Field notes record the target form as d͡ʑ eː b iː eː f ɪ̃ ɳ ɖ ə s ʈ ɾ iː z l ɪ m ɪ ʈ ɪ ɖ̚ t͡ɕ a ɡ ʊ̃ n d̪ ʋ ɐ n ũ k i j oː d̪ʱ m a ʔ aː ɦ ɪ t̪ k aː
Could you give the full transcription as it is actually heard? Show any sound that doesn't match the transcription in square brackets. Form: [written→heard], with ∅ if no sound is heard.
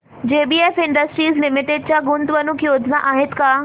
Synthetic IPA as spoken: d͡ʑ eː b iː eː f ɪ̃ ɳ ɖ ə s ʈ ɾ iː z l ɪ m ɪ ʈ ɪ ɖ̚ t͡ɕ a ɡ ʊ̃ n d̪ ʋ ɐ n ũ k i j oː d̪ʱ [m→n] a ʔ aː ɦ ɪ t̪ k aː